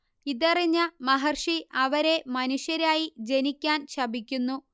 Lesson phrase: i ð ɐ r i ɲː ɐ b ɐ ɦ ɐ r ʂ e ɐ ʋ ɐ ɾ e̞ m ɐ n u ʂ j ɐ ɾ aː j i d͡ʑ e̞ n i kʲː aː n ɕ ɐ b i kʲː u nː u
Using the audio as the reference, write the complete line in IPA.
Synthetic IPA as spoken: i ð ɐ r i ɲː ɐ m ɐ ɦ ɐ r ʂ i ɐ ʋ ɐ ɾ e̞ m ɐ n u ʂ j ɐ ɾ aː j i d͡ʑ e̞ n i kʲː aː n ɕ ɐ b i kʲː u nː u